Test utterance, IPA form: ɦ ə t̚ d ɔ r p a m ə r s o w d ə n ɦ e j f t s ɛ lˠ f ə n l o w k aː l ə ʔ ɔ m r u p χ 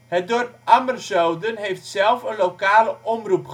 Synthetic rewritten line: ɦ ə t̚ d ɔ r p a m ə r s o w d ə n ɦ e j f t s ɛ lˠ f ə n l o w k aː l ə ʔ ɔ m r u p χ